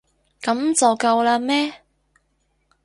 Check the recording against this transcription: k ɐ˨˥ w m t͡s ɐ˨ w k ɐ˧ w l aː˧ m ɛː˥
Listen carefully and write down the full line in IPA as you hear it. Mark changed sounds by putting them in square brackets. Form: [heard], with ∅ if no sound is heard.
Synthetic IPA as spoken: k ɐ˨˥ [∅] m t͡s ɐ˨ w k ɐ˧ w l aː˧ m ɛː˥